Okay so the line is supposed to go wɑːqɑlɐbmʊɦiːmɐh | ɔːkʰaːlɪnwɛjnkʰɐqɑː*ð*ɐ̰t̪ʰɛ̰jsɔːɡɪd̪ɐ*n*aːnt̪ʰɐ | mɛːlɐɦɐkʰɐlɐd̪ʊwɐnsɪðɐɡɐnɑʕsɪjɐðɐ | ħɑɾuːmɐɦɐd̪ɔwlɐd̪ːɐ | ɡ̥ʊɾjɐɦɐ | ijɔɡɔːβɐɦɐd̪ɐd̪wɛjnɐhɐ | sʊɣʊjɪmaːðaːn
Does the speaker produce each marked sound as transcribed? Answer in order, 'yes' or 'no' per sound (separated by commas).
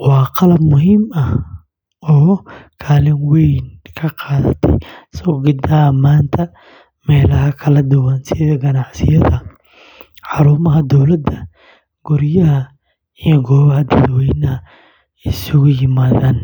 yes, no